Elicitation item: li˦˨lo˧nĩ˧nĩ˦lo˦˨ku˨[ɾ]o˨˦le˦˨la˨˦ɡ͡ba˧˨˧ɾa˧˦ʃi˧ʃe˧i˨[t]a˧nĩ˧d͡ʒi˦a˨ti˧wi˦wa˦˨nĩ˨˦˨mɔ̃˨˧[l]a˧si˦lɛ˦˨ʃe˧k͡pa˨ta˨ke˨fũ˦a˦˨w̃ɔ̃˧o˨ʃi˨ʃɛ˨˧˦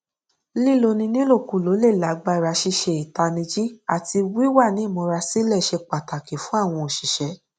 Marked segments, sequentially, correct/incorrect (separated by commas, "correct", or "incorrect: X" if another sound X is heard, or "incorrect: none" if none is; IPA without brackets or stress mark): incorrect: l, correct, incorrect: ɾ